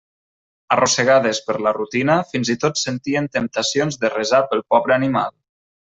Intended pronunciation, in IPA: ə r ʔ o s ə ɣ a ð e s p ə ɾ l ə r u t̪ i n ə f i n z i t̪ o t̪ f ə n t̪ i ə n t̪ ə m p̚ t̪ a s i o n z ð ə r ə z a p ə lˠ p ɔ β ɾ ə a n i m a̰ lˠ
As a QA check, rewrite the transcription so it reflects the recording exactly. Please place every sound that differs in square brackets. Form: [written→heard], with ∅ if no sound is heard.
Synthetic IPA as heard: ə r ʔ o s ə ɣ a ð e s p ə ɾ l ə r u t̪ i n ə f i n z i t̪ o t̪ [f→s] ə n t̪ i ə n t̪ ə m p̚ t̪ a s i o n z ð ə r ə z a p ə lˠ p ɔ β ɾ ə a n i m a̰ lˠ

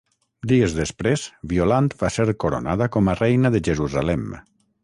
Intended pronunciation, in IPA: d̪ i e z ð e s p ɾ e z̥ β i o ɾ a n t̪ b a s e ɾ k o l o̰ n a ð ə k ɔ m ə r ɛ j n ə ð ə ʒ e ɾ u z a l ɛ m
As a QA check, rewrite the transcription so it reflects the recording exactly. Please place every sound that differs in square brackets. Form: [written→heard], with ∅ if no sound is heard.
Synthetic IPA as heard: d̪ i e z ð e s p ɾ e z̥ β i o [ɾ→l] a n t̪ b a s e ɾ k o [l→ɾ] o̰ n a ð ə k ɔ m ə r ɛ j n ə ð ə ʒ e ɾ u z a l ɛ m

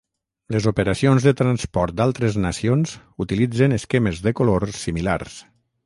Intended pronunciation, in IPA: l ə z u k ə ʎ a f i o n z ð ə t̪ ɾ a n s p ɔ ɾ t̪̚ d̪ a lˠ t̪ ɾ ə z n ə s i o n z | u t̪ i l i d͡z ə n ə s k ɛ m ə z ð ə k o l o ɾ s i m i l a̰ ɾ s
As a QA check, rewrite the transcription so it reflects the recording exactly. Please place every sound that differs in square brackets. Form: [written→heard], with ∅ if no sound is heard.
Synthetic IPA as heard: l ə z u [k→p] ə [ʎ→ɾ] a [f→s] i o n z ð ə t̪ ɾ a n s p ɔ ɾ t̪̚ d̪ a lˠ t̪ ɾ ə z n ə s i o n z | u t̪ i l i d͡z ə n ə s k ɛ m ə z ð ə k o l o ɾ s i m i l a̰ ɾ s

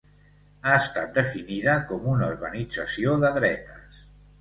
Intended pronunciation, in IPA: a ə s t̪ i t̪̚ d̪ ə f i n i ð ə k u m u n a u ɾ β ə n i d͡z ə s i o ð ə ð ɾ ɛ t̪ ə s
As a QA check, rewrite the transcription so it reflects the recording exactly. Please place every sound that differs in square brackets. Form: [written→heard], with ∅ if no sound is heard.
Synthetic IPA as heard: a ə s t̪ [i→a] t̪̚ d̪ ə f i n i ð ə k [u→ɔ] m u n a u ɾ β ə n i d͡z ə s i o ð ə ð ɾ ɛ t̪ ə s

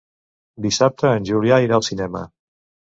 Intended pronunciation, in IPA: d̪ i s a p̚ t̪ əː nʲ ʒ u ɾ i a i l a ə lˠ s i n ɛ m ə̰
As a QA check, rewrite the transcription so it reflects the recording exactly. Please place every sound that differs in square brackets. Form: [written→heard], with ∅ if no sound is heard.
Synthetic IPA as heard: d̪ i s a p̚ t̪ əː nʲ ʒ u [ɾ→l] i a i [l→ɾ] a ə lˠ s i n ɛ m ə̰

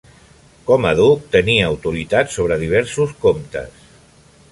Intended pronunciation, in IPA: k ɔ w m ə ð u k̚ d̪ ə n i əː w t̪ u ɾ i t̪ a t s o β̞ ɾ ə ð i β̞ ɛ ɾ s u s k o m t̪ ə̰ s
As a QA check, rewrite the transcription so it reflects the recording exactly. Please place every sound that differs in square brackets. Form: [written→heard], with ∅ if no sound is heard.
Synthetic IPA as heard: k ɔ [w→∅] m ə ð u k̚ [d̪→t̪] ə n i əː w t̪ u ɾ i t̪ a t s o β̞ ɾ ə ð i β̞ ɛ ɾ s u s k o m t̪ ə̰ s

